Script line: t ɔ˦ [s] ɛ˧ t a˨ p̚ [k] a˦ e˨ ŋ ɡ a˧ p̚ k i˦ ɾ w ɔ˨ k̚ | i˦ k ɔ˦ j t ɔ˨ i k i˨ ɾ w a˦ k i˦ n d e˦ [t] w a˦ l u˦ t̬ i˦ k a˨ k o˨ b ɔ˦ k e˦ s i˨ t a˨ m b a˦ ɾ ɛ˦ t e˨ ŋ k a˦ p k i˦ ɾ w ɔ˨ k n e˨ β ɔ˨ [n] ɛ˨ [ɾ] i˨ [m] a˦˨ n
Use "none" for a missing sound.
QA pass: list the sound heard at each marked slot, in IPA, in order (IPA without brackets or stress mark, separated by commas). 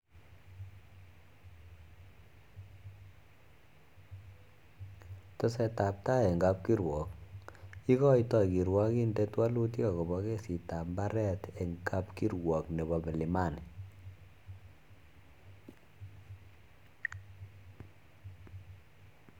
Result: s, t, t, m, l, m